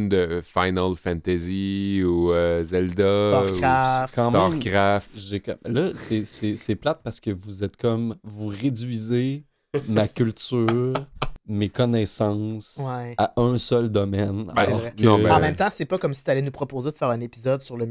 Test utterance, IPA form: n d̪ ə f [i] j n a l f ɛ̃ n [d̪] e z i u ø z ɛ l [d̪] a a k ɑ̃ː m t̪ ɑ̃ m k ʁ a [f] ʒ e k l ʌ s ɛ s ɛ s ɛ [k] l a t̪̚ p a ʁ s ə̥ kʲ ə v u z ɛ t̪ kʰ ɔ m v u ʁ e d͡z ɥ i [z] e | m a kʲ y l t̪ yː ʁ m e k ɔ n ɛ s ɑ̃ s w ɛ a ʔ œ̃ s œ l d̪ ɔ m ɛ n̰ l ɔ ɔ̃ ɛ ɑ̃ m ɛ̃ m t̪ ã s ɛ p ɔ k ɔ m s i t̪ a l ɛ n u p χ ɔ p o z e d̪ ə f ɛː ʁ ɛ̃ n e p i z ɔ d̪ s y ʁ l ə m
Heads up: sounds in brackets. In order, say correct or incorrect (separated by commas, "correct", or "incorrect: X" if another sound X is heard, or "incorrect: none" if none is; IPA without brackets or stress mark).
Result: incorrect: a, incorrect: t̪, correct, correct, incorrect: p, correct